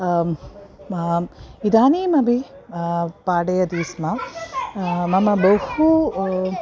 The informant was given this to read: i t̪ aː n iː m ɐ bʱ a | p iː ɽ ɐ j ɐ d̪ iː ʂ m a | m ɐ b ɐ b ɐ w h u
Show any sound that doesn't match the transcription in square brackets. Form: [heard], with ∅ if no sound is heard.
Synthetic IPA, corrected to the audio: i [d̪] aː n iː m ɐ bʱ [i] | p [aː] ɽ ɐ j ɐ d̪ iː [s] m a | m ɐ [m] ɐ b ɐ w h u